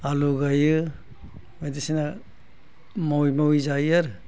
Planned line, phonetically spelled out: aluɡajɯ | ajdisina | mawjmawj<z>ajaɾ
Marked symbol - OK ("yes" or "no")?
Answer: yes